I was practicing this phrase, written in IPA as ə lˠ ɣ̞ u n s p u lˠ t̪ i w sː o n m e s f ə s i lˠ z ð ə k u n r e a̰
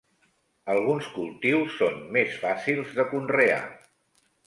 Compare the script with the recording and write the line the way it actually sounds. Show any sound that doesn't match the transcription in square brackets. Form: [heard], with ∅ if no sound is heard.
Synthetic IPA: ə lˠ ɣ̞ u n s [k] u lˠ t̪ i w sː o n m e s f [a] s i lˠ z ð ə k u n r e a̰

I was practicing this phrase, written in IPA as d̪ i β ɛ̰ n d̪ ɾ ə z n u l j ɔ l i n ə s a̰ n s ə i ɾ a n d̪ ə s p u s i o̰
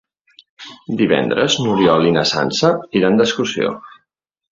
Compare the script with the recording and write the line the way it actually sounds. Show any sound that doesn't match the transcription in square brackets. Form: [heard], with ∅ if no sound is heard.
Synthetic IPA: d̪ i β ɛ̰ n d̪ ɾ ə z n u [ɾ] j ɔ l i n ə s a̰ n s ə i ɾ a n d̪ ə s [k] u s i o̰

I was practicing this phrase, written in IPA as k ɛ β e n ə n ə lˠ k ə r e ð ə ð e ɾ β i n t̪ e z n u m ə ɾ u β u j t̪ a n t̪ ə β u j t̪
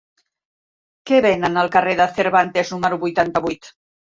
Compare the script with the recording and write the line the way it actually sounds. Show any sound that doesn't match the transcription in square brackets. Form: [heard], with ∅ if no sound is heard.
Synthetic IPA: k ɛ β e n ə n ə lˠ k ə r e ð ə [θ] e ɾ β [a] n t̪ e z n u m ə ɾ u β u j t̪ a n t̪ ə β u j t̪

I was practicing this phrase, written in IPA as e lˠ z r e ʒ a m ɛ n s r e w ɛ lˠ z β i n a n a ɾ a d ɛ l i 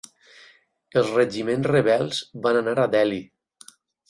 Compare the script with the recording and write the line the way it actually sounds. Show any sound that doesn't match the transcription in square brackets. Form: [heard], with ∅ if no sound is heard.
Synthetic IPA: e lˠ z r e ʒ [i] m [e] n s r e [β] ɛ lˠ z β [a] n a n a ɾ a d ɛ l i

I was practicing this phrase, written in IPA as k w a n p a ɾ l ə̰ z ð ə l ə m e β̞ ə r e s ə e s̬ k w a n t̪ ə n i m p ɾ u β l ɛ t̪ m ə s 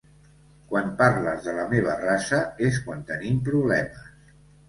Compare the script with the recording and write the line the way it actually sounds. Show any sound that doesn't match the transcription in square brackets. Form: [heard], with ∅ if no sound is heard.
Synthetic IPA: k w a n p a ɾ l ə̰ z ð ə l ə m e β̞ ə r [a] s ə e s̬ k w a n t̪ ə n i m p ɾ u β l ɛ [∅] m ə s

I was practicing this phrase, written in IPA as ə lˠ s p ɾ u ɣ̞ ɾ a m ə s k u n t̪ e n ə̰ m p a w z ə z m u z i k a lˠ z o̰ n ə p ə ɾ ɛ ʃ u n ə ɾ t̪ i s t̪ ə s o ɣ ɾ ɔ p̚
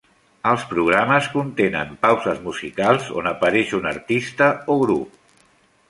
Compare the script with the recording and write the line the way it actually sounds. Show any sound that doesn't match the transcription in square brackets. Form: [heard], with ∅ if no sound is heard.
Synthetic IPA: ə lˠ s p ɾ u ɣ̞ ɾ a m ə s k u n t̪ e n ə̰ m p a w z ə z m u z i k a lˠ z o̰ n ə p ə ɾ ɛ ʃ u n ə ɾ t̪ i s t̪ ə [∅] o ɣ ɾ [u] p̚

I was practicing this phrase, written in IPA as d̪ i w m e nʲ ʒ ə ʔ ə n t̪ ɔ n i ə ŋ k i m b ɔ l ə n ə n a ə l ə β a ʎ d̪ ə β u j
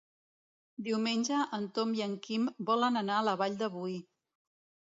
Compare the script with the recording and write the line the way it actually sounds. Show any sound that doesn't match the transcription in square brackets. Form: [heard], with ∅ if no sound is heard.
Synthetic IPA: d̪ i w m e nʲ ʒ ə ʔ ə n t̪ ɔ [m] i ə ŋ k i m b ɔ l ə n ə n a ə l ə β a ʎ d̪ ə β u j

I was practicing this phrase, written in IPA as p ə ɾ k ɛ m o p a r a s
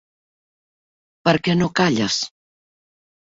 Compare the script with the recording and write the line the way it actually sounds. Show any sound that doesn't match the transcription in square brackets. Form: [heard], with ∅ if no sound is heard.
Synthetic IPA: p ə ɾ k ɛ [n] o [k] a [ʎ] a s

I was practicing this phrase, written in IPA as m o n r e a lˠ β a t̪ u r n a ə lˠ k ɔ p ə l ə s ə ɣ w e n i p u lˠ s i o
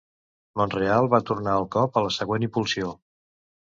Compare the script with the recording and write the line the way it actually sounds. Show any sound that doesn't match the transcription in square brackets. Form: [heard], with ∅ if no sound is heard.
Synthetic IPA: m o n r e a lˠ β a t̪ u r n a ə lˠ k ɔ p ə l ə s ə ɣ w e n i p u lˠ s i o

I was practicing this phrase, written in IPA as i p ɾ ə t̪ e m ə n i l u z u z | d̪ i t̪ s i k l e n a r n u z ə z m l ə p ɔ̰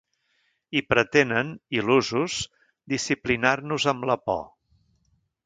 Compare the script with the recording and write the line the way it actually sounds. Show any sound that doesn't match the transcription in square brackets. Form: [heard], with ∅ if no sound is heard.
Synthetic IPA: i p ɾ ə t̪ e [n] ə n i l u z u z | d̪ i [∅] s i [p] l [i] n a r n u z ə [∅] m l ə p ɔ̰

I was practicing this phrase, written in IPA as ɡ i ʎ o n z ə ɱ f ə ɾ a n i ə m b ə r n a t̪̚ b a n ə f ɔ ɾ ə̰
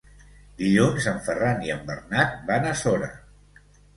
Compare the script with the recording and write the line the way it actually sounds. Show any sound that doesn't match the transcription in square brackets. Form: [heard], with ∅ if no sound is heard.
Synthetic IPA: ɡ i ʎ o n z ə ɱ f ə [r] a n i ə m b ə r n a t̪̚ b a n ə [s] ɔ ɾ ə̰

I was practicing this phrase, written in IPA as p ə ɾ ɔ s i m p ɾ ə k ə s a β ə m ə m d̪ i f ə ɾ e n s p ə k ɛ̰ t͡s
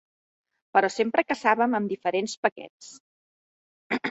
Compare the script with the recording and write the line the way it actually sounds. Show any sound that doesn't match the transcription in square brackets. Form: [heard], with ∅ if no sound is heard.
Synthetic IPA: p ə ɾ ɔ s [e] m p ɾ ə k ə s a β ə m ə m d̪ i f ə ɾ e n s p ə k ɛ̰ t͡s

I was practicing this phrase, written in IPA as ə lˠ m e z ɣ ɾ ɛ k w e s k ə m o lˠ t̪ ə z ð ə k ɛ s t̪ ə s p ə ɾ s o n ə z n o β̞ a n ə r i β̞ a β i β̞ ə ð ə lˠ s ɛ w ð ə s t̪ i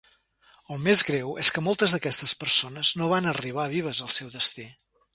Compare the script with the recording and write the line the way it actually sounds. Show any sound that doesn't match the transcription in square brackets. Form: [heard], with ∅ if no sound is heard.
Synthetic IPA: ə lˠ m e z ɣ ɾ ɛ [∅] w e s k ə m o lˠ t̪ ə z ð ə k ɛ s t̪ ə s p ə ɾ s o n ə z n o β̞ a n ə r i β̞ a β i β̞ ə [z] ə lˠ s ɛ w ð ə s t̪ i

